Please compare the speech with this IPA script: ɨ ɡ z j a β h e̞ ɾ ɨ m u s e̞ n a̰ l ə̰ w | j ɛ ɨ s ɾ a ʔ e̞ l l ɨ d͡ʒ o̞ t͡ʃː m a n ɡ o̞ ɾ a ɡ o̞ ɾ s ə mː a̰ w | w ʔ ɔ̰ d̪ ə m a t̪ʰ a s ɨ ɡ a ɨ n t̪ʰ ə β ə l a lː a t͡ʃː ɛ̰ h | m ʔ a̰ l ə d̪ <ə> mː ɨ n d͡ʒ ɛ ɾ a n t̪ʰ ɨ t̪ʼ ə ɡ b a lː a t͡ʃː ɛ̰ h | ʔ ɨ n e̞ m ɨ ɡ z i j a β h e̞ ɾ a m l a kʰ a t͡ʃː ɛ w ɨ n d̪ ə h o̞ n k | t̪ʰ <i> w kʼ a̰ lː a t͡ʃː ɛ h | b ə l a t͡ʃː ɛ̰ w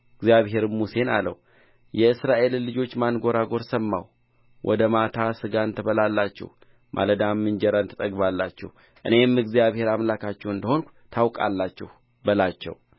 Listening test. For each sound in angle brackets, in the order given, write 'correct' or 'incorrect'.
incorrect: a, incorrect: a

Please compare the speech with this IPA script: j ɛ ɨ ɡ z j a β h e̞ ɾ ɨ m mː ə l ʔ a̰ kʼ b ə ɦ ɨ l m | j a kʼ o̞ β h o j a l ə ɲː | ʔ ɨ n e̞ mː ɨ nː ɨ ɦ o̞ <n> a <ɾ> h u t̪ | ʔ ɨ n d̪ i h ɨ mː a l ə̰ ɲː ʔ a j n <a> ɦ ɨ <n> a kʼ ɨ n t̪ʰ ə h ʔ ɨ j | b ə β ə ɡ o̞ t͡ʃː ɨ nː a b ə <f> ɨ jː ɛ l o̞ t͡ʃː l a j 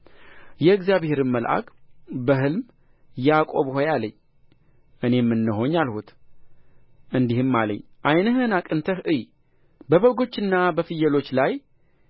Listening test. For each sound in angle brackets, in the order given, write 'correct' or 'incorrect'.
incorrect: ɲ, incorrect: l, incorrect: ə, correct, correct

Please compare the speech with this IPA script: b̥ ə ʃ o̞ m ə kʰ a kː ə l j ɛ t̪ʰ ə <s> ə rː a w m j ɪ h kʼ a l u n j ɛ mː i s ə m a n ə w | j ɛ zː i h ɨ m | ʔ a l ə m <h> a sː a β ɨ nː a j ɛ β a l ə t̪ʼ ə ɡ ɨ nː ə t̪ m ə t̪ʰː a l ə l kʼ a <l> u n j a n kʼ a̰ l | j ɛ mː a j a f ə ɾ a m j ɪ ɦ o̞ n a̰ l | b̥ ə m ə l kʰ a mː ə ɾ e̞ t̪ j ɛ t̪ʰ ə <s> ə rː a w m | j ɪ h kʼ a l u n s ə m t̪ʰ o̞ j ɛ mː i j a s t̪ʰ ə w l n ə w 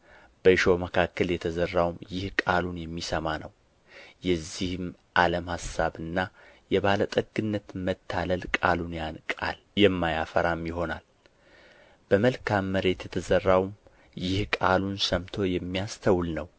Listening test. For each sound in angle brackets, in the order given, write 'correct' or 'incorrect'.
incorrect: z, correct, correct, incorrect: z

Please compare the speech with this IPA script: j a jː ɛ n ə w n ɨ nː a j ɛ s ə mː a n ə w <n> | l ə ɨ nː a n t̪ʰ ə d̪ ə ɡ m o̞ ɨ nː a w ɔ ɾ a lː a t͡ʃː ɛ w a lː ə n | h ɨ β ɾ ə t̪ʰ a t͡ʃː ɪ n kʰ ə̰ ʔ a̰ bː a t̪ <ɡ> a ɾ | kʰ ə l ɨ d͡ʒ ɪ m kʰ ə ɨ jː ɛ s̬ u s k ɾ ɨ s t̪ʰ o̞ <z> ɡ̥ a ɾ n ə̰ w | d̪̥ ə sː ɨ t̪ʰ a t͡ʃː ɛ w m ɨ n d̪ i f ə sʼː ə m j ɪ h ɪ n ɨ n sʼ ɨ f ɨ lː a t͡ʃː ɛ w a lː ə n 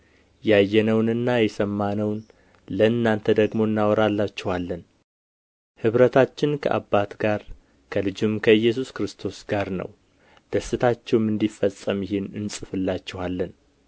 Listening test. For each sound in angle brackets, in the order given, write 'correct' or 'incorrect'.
correct, correct, incorrect: s

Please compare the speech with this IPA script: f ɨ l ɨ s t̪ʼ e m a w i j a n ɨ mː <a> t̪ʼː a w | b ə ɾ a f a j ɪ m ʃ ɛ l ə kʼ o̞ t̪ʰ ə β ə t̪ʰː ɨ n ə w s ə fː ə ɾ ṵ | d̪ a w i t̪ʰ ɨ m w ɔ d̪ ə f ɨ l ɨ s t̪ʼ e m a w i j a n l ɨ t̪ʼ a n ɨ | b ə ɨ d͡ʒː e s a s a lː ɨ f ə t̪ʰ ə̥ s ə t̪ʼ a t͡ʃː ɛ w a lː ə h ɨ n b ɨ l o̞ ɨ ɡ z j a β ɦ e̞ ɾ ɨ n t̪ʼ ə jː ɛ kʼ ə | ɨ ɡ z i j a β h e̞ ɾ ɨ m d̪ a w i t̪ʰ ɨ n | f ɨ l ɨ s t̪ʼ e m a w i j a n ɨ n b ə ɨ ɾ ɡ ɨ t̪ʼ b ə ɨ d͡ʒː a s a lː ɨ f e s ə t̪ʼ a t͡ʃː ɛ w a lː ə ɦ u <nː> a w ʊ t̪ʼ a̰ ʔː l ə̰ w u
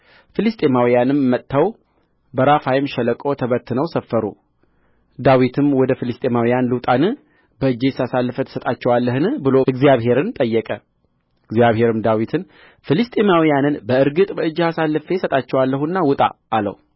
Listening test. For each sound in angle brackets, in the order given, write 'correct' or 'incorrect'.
incorrect: ə, correct

